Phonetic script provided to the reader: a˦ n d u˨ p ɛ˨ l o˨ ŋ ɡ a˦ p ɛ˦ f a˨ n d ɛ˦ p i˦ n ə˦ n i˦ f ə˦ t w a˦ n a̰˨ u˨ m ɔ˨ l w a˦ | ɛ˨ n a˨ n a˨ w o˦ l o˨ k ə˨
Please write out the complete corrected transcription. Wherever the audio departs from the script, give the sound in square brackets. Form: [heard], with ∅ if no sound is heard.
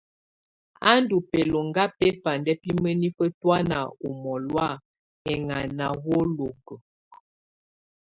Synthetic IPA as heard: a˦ n d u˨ p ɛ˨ l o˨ ŋ ɡ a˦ p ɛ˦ f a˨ n d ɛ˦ p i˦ [m] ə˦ n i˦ f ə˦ t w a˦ n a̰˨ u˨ m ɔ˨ l w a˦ | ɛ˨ [ŋ] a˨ n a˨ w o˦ l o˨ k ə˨